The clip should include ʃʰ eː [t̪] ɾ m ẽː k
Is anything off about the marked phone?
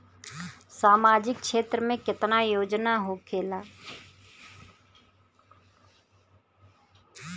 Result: no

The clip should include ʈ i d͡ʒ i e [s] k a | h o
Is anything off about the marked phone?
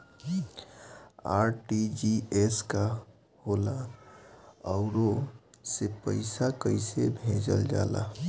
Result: no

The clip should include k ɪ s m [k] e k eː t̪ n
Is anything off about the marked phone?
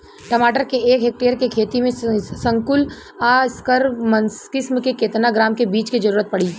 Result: no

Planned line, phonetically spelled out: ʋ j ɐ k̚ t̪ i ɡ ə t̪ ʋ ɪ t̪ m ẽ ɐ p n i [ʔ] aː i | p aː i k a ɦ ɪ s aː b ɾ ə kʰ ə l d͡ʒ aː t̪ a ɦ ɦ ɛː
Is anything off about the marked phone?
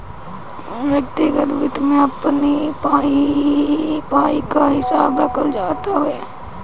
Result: yes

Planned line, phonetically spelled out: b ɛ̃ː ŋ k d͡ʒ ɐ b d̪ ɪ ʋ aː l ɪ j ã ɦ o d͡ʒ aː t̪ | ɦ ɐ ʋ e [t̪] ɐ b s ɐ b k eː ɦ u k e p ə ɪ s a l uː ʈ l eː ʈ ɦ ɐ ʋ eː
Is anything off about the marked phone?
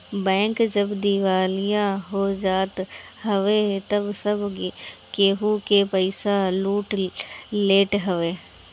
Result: no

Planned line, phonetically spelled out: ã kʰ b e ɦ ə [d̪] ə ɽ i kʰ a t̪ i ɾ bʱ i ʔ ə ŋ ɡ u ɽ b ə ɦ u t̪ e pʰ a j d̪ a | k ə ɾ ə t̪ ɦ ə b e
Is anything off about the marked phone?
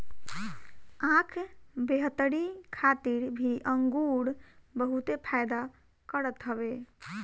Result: yes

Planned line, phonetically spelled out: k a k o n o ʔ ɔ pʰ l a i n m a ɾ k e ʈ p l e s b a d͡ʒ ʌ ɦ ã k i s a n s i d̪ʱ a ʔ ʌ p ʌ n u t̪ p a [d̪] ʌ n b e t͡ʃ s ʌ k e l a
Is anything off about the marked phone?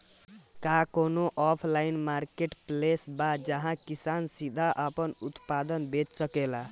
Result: no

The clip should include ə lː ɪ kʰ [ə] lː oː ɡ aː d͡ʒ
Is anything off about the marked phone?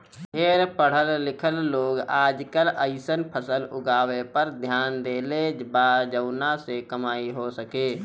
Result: no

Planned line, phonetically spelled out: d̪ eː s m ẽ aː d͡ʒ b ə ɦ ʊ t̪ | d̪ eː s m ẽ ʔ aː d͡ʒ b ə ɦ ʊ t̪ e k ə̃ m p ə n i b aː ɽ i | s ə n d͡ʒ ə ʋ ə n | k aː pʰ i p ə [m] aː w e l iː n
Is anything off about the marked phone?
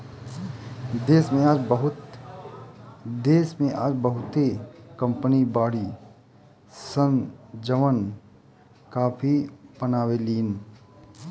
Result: yes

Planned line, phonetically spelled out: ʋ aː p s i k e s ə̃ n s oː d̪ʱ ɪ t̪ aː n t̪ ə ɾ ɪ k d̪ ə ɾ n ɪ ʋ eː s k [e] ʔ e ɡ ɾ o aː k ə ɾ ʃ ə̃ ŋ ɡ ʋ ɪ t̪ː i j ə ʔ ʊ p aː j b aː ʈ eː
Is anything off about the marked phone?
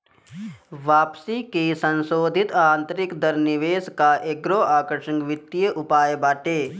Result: yes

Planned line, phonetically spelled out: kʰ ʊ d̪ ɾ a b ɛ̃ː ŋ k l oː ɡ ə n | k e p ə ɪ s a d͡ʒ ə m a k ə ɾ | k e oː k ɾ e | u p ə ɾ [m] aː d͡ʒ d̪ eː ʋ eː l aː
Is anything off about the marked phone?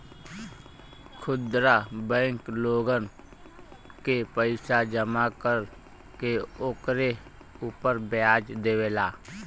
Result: yes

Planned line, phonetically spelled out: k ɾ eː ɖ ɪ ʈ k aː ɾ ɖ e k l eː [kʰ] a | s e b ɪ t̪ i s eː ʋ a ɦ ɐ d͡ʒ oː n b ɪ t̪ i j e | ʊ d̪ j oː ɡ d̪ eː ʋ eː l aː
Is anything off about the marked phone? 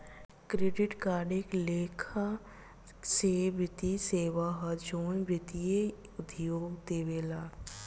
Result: no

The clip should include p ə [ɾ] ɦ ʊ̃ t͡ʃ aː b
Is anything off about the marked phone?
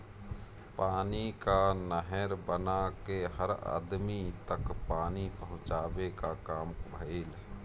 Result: yes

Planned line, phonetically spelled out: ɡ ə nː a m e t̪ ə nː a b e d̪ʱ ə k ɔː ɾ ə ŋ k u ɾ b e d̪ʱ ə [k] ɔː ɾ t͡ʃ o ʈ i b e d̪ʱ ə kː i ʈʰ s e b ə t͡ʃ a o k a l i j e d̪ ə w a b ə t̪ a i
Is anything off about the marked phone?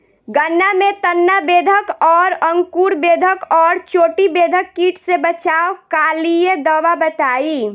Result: no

